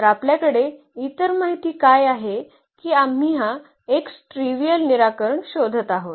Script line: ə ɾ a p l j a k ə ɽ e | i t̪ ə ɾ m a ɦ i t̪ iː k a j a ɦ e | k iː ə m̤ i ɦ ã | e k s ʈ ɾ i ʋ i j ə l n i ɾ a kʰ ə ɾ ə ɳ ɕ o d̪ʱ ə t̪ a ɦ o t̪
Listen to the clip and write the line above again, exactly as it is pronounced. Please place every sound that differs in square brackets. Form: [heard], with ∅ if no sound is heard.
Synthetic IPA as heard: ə ɾ a p l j a k ə ɽ e | i t̪ ə ɾ m a ɦ i t̪ iː k a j a ɦ e | k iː [a] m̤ i ɦ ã | e k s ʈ ɾ i ʋ i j ə l n i ɾ a [k] ə ɾ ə ɳ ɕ o d̪ʱ ə t̪ a ɦ o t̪